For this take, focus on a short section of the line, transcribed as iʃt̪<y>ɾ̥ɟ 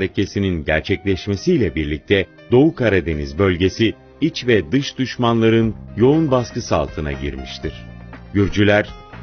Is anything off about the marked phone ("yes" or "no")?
yes